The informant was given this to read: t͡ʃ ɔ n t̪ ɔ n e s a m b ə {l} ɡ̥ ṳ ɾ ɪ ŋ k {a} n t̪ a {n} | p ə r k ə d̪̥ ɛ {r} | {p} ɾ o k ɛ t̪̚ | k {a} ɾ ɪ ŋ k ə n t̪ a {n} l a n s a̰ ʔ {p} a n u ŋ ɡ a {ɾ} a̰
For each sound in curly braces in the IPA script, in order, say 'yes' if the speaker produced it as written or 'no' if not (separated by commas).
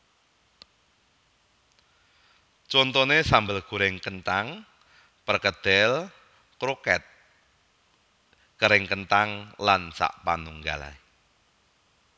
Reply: yes, no, no, no, no, no, no, yes, no